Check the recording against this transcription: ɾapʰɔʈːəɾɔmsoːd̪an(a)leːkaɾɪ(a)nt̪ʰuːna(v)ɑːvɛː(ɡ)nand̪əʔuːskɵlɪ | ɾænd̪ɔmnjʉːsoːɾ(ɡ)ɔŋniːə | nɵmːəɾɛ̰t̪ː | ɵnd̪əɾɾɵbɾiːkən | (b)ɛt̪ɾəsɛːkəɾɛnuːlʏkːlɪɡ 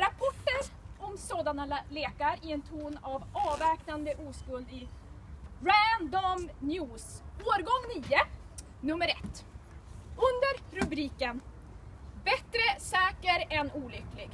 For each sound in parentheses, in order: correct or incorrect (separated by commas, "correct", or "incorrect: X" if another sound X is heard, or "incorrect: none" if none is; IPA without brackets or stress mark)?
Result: correct, incorrect: ɛ, correct, incorrect: k, correct, correct